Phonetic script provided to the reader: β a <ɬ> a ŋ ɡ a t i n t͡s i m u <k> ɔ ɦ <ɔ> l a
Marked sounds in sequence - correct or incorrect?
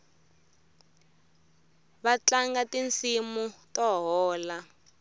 incorrect: t͡ɬ, incorrect: t, incorrect: ɔː

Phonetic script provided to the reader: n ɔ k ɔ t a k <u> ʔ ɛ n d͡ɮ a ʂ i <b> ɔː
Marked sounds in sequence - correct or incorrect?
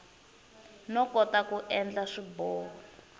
correct, correct

